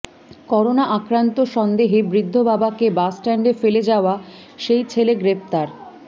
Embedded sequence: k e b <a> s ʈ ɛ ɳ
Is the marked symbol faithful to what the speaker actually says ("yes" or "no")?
yes